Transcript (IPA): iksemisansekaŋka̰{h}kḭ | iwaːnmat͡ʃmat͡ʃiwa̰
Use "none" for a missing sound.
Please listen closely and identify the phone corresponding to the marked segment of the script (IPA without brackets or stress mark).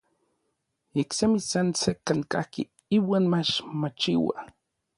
h